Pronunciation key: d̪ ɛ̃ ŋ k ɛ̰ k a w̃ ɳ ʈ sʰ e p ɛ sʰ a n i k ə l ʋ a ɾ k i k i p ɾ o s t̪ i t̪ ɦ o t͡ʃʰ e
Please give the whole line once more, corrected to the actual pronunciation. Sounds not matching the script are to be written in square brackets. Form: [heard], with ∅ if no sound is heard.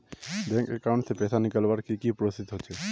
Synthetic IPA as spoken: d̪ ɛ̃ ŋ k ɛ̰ k a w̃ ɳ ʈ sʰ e p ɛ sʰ a n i k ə l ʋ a ɾ k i k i p ɾ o s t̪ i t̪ ɦ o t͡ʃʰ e